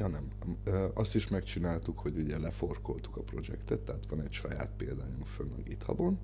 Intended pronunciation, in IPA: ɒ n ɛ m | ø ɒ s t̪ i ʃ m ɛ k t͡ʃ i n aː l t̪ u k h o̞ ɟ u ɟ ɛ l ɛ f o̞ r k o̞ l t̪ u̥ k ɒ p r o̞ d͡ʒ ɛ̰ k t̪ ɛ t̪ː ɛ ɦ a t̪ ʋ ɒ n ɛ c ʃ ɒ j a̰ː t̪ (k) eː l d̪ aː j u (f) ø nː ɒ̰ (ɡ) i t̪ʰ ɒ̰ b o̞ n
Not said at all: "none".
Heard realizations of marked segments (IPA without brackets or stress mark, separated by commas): p, f, ɡ